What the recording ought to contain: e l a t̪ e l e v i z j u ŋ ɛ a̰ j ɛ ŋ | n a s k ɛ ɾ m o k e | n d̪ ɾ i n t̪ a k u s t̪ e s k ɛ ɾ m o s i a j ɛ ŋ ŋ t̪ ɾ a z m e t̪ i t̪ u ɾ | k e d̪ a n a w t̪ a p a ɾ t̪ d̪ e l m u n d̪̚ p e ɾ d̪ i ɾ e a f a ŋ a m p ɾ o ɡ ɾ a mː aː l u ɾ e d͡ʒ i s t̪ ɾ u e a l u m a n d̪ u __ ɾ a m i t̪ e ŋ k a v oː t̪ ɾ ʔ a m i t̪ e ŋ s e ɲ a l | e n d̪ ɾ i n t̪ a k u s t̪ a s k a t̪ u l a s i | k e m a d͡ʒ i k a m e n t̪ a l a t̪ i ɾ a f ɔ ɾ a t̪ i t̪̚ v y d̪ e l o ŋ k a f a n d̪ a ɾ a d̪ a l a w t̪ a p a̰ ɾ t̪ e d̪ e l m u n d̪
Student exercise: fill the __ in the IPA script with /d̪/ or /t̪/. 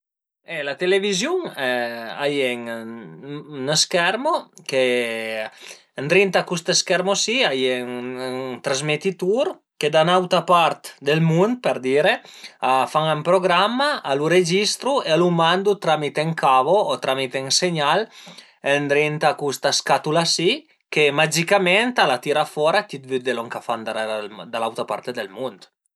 t̪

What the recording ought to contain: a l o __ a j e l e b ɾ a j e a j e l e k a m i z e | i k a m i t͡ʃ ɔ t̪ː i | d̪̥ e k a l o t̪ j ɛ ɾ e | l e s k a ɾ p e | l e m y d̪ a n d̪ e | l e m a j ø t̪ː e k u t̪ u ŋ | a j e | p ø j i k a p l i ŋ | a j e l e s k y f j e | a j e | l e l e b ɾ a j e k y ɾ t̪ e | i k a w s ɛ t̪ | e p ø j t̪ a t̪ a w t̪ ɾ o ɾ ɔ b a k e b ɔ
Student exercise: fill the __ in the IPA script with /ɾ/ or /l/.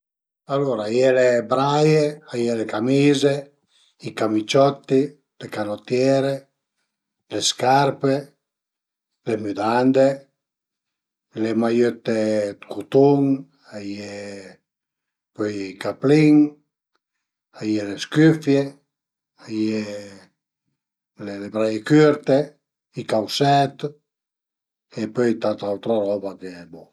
ɾ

